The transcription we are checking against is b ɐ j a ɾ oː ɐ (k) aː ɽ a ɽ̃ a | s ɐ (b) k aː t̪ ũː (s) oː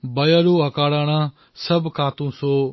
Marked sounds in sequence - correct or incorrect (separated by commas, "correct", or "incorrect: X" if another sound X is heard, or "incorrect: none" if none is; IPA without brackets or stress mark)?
correct, correct, correct